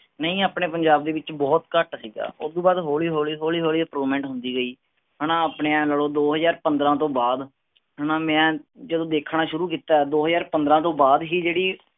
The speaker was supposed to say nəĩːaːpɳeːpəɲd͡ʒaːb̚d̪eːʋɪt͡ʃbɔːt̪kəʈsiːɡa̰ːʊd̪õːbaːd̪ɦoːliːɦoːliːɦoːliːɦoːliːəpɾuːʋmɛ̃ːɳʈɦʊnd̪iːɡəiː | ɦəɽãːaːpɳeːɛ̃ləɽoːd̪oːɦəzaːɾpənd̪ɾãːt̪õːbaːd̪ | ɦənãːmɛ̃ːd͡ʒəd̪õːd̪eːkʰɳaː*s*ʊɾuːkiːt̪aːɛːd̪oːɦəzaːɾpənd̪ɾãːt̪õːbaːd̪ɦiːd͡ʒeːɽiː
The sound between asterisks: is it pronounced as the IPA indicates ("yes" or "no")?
no